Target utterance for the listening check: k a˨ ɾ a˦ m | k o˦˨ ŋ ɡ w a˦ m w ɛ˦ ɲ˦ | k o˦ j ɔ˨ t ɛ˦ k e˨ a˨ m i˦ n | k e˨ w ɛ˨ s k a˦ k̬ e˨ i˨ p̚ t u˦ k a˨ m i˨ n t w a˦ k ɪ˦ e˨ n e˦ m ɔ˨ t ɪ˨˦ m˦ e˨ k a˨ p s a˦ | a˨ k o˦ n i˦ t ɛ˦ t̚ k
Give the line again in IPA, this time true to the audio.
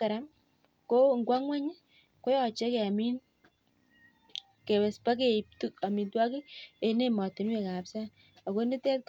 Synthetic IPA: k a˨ ɾ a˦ m | k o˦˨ ŋ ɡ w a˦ ŋ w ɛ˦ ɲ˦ | k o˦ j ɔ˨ t͡ʃ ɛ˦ k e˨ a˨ m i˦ n | k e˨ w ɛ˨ s p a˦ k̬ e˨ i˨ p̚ t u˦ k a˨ m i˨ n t w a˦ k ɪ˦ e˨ n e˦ m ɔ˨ t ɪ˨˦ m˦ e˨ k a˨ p s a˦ | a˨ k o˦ n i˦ t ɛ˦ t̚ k